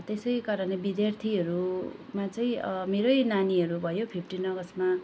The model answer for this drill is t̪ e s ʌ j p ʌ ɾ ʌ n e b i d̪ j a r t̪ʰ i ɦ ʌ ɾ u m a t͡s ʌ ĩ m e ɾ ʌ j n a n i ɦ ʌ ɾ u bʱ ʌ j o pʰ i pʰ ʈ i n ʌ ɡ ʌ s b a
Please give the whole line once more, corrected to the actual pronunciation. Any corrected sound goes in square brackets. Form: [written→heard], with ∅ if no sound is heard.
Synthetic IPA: t̪ e s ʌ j [p→k] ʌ ɾ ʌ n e b i d̪ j a r t̪ʰ i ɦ ʌ ɾ u m a t͡s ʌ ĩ m e ɾ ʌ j n a n i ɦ ʌ ɾ u bʱ ʌ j o pʰ i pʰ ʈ i n ʌ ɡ ʌ s [b→m] a